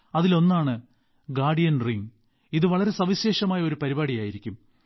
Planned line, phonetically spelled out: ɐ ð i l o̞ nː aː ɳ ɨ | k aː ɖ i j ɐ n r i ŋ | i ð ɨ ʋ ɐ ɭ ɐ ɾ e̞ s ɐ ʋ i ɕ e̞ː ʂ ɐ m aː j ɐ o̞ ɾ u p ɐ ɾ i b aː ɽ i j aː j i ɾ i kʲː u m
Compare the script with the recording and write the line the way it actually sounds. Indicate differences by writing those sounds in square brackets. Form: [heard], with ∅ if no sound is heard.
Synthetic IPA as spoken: ɐ ð i l o̞ nː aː ɳ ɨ | [ɡ] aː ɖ i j ɐ n r i ŋ | i ð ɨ ʋ ɐ ɭ ɐ ɾ e̞ s ɐ ʋ i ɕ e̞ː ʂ ɐ m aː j ɐ o̞ ɾ u p ɐ ɾ i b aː ɽ i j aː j i ɾ i kʲː u m

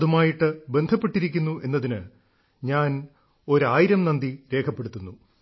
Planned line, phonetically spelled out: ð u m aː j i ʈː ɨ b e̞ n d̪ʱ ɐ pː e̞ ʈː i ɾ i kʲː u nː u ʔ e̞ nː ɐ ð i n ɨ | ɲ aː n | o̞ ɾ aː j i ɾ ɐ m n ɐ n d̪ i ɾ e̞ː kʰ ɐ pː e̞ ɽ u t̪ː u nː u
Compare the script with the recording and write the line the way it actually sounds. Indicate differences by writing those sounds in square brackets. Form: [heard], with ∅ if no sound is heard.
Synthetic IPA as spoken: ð u m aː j i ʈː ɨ b e̞ n d̪ʱ ɐ pː e̞ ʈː i ɾ i kʲː u nː u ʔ e̞ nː ɐ ð i n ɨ | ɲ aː n | o̞ ɾ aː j i ɾ ɐ m n ɐ n d̪ i ɾ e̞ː kʰ ɐ pː e̞ ɽ u t̪ː u nː u

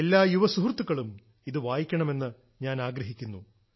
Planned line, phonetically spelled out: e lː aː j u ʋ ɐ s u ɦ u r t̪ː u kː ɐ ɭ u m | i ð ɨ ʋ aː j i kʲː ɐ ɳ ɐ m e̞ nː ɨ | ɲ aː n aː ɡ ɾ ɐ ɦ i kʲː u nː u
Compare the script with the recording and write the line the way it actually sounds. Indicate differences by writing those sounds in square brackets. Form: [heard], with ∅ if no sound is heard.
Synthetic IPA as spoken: e lː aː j u ʋ ɐ s u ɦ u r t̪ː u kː ɐ ɭ u m | i ð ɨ ʋ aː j i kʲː ɐ ɳ ɐ m e̞ nː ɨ | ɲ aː n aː ɡ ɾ ɐ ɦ i kʲː u nː u

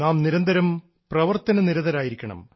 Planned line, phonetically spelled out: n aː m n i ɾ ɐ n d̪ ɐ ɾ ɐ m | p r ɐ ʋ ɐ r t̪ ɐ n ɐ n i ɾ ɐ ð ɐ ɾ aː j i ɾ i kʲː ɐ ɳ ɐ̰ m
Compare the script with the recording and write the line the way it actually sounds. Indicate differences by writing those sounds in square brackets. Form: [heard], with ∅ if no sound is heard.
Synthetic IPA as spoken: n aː m n i ɾ ɐ n d̪ ɐ ɾ ɐ m | p r ɐ ʋ ɐ r t̪ ɐ n ɐ n i ɾ ɐ ð ɐ ɾ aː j i ɾ i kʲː ɐ ɳ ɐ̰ m

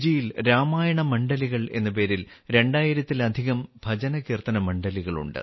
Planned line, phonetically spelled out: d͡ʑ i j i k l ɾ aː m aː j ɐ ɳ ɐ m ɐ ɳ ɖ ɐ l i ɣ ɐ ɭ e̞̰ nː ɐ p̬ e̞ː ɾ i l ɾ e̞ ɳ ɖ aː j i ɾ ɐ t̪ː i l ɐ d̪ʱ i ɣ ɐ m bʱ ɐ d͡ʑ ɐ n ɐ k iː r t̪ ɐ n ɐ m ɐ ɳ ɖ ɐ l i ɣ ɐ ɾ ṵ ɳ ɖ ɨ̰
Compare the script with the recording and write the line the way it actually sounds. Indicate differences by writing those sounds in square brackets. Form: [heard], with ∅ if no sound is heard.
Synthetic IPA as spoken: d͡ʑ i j i [∅] l ɾ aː m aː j ɐ ɳ ɐ m ɐ ɳ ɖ ɐ l i ɣ ɐ ɭ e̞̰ nː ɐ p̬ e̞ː ɾ i l ɾ e̞ ɳ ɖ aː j i ɾ ɐ t̪ː i l ɐ d̪ʱ i ɣ ɐ m bʱ ɐ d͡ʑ ɐ n ɐ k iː r t̪ ɐ n ɐ m ɐ ɳ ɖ ɐ l i ɣ ɐ [ɭ] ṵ ɳ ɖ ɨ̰

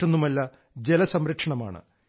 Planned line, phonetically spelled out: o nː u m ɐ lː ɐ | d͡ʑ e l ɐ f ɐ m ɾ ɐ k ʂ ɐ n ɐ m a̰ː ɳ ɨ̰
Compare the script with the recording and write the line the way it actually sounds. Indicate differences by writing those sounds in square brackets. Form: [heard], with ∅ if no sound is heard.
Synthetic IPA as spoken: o nː u m ɐ lː ɐ | d͡ʑ e l ɐ [s] ɐ m ɾ ɐ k ʂ ɐ [ɳ] ɐ m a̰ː ɳ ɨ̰

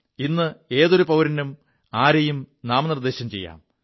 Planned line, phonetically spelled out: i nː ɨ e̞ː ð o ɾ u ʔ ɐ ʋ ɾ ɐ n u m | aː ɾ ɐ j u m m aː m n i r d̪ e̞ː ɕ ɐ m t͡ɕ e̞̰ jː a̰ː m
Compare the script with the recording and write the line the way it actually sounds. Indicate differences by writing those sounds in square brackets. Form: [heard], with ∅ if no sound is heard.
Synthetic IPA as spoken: i nː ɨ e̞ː ð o ɾ u [p] ɐ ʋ ɾ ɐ n u m | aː ɾ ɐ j u m [n] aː m n i r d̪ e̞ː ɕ ɐ m t͡ɕ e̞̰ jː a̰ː m

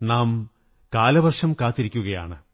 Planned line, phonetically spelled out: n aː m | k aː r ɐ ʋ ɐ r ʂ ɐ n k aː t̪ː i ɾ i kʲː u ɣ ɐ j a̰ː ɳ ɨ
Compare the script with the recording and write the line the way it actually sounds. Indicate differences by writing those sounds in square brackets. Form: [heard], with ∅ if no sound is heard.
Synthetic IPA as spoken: n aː m | k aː [l] ɐ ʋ ɐ r ʂ ɐ [m] k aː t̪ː i ɾ i kʲː u ɣ ɐ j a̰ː ɳ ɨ

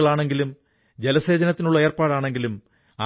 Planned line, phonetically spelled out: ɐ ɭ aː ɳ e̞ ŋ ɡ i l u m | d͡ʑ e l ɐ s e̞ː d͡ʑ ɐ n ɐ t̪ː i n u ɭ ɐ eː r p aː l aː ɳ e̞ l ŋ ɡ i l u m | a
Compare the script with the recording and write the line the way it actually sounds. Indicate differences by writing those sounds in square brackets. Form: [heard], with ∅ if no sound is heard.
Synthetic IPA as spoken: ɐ ɭ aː ɳ e̞ ŋ ɡ i l u m | d͡ʑ e l ɐ s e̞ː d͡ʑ ɐ n ɐ t̪ː i n u [ɭː] ɐ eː r p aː [ɽ] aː ɳ e̞ [∅] ŋ ɡ i l u m | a

